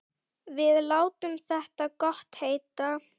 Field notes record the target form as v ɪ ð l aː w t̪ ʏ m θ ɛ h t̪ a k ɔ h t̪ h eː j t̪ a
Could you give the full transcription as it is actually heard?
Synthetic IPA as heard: v ɪ ð l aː w t̪ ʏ m θ ɛ h t̪ a k ɔ h t̪ h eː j t̪ a

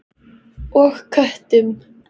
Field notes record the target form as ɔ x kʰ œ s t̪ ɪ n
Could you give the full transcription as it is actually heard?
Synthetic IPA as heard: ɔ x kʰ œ h t̪ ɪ m

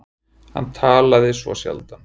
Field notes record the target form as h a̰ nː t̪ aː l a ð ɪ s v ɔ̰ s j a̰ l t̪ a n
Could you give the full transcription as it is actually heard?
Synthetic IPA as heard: h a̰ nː t̪ʰ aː l a ð ɪ s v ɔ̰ s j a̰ l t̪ a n

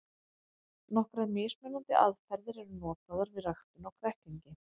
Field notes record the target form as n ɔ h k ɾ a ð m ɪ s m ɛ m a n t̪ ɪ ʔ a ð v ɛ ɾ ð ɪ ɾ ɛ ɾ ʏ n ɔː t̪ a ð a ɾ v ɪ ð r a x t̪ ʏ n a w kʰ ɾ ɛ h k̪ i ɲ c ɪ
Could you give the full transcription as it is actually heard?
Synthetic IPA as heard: n ɔ h k ɾ a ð m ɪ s m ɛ n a n t̪ ɪ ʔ a ð f ɛ ɾ ð ɪ ɾ ɛ ɾ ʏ n ɔː t̪ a ð a ɾ v ɪ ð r a x t̪ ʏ n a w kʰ ɾ ɛ h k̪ i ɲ c ɪ

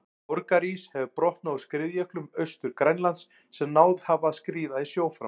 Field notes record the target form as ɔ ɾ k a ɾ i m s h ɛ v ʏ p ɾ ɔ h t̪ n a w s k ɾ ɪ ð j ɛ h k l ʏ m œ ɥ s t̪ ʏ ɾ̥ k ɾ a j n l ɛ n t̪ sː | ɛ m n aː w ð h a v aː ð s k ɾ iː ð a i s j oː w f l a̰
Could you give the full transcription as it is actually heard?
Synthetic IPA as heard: ɔ ɾ k a ɾ i s h ɛ v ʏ p ɾ ɔ h t̪ n a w s k ɾ ɪ ð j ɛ h k l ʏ m œ ɥ s t̪ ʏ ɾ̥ k ɾ a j n l a n t̪ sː | ɛ m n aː w ð h a v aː ð s k ɾ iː ð a i s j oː w f ɾ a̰

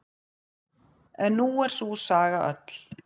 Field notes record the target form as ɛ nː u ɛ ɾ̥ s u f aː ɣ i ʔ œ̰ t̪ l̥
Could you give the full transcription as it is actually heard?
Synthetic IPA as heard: ɛ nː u ɛ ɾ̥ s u s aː ɣ a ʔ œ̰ t̪ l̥

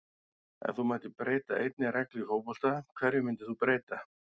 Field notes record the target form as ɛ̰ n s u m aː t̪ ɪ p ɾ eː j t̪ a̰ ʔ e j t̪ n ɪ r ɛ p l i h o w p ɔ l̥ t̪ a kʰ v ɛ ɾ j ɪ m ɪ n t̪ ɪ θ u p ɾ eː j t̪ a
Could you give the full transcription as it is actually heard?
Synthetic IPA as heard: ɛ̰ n θ u m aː t̪ ɪ p ɾ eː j t̪ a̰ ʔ e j t̪ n ɪ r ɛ k l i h o w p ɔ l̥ t̪ a kʰ v ɛ ɾ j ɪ m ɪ n t̪ ɪ θ u p ɾ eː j t̪ a

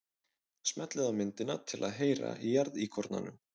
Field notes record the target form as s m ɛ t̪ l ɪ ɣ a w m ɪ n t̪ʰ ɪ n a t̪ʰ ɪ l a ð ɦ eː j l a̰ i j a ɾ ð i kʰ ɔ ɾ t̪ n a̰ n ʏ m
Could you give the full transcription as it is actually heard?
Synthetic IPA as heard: s m ɛ t̪ l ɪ ð a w m ɪ n t̪ ɪ n a t̪ʰ ɪ l a ð ɦ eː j ɾ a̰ i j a ɾ ð i kʰ ɔ ɾ t̪ n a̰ n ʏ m

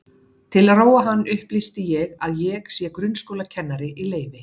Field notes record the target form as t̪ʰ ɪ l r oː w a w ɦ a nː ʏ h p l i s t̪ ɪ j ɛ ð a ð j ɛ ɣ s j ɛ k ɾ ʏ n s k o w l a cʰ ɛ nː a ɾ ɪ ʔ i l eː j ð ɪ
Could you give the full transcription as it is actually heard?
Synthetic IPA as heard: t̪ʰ ɪ l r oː w a ɦ a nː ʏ h p l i s t̪ ɪ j ɛ ɣ a ð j ɛ ɣ s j ɛ k ɾ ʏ n s k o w l a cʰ ɛ nː a ɾ ɪ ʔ i l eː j v ɪ

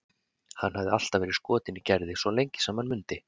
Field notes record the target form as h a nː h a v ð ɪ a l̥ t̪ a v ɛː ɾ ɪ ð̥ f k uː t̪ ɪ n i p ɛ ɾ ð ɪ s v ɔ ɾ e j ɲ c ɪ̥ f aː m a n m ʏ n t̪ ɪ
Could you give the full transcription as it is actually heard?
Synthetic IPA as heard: h a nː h a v ð ɪ a l̥ t̪ a v ɛː ɾ ɪ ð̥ s k ɔː t̪ ɪ n i c ɛ ɾ ð ɪ s v ɔ l e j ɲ c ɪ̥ s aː m a n m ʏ n t̪ ɪ

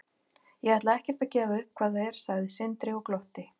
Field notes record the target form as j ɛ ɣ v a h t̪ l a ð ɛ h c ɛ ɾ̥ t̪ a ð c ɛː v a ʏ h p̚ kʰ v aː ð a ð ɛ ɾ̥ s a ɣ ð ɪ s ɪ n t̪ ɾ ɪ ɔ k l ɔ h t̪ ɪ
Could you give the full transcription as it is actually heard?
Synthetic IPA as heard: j ɛ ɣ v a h t̪ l a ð ɛ h c ɛ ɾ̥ t̪ a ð c ɛː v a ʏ h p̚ kʰ v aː ð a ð ɛ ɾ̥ s a ɣ ð ɪ s ɪ n t̪ ɾ ɪ ɔ k l ɔ h t̪ ɪ

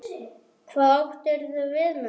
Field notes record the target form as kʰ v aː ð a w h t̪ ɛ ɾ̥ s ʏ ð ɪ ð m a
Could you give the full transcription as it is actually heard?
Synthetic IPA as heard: kʰ v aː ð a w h t̪ ɛ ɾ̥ θ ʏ v ɪ ð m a

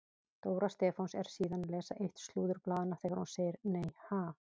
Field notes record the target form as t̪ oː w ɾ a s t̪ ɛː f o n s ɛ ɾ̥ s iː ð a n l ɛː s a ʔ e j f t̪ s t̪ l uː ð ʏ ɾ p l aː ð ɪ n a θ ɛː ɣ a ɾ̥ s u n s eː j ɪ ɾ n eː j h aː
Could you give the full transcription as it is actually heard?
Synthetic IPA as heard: t̪ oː w ɾ a s t̪ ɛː f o n s ɛ ɾ̥ s iː ð a n l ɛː s a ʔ e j h t̪ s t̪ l uː ð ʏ ɾ p l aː ð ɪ n a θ ɛː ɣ a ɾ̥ h u n s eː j ɪ ɾ n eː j h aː

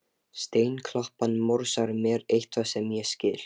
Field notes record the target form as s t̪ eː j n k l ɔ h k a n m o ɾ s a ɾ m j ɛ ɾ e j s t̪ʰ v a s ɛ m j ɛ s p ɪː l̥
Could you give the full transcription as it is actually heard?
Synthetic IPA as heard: s t̪ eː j n kʰ l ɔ h p a n m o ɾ s a ɾ m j ɛ ɾ e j h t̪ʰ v a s ɛ m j ɛ s c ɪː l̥

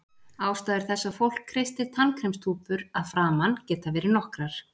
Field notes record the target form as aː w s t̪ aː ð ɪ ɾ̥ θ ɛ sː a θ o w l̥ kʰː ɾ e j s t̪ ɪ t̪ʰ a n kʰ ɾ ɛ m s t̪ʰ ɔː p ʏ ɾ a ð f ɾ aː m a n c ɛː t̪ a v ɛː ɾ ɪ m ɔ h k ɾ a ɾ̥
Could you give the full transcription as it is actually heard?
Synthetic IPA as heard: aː w s t̪ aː ð ɪ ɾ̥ θ ɛ sː a f o w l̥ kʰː ɾ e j s t̪ ɪ t̪ʰ a n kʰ ɾ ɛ m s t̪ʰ uː p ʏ ɾ a ð f ɾ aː m a n c ɛː t̪ a v ɛː ɾ ɪ n ɔ h k ɾ a ɾ̥

